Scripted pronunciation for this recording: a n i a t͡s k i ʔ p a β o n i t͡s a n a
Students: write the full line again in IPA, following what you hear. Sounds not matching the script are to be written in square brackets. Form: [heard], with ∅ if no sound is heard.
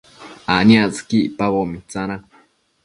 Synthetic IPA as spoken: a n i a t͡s k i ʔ p a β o [m] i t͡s a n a

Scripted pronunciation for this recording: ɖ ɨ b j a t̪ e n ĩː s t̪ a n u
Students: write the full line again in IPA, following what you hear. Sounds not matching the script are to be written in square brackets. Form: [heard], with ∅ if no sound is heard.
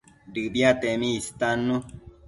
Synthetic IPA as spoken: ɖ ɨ b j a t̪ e [m] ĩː s t̪ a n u

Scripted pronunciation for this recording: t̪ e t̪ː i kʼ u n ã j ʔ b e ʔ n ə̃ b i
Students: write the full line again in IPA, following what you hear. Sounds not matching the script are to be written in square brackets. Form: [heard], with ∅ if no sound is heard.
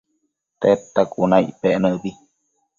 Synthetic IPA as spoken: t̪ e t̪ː [a] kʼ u n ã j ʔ [p] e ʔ n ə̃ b i

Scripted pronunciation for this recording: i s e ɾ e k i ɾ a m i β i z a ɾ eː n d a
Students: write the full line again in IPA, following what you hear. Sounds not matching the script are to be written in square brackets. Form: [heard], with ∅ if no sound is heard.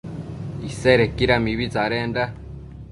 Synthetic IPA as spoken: i s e ɾ e k i ɾ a m i β i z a ɾ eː n d a

